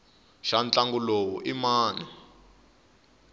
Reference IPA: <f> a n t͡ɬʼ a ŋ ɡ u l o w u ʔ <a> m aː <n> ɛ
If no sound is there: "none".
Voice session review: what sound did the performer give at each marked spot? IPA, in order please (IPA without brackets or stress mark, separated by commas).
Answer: ʃ, i, n